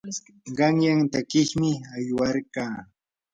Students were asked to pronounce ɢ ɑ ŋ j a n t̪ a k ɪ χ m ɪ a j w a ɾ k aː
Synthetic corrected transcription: ɢ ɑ ŋ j a ŋ t̪ a k ɪ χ m ɪ a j w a ɾ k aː